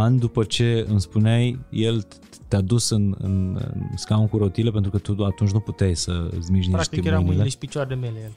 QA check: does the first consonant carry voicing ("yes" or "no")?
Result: yes